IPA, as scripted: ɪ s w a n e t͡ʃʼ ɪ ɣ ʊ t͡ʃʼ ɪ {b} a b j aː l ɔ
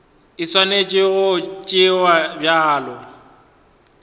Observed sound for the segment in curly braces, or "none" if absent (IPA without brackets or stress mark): w